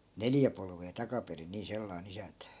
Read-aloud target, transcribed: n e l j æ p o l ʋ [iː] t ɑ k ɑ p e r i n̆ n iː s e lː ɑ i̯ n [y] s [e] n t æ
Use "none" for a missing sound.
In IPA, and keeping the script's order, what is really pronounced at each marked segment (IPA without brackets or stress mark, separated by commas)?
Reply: eː, i, æ